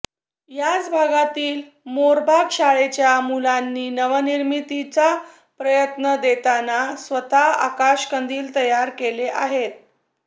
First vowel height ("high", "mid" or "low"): low